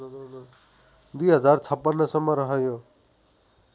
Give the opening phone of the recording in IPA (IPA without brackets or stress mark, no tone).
d̪